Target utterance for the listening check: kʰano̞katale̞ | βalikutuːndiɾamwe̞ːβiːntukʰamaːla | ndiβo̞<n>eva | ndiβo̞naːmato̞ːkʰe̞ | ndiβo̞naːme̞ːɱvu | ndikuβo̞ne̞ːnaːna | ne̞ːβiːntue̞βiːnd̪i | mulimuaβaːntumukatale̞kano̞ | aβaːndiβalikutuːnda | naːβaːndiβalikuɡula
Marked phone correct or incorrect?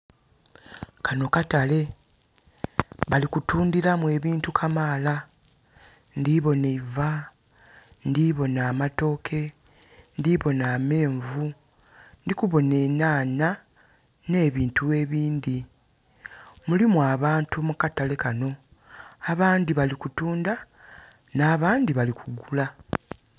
correct